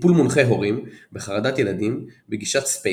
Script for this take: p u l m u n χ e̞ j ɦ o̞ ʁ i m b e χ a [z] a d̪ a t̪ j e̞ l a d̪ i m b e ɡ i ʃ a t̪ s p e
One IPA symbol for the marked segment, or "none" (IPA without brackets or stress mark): ʁ